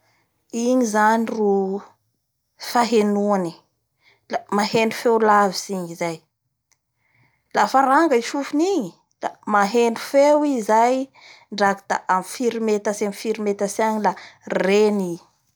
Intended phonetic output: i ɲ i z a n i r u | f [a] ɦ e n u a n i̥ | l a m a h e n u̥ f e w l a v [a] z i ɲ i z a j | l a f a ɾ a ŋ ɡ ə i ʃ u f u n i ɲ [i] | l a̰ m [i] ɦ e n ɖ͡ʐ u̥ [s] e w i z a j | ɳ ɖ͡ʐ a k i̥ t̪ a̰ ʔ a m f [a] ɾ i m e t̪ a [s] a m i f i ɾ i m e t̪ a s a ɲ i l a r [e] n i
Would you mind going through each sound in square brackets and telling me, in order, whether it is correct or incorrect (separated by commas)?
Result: correct, incorrect, correct, incorrect, incorrect, incorrect, correct, correct